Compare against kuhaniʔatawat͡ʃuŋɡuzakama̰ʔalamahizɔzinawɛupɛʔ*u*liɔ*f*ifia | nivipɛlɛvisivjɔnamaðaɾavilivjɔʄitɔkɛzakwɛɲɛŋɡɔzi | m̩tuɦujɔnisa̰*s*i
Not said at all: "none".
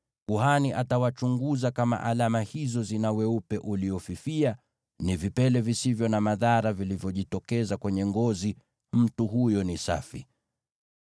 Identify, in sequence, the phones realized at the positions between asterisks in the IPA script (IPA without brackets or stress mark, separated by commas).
u, f, f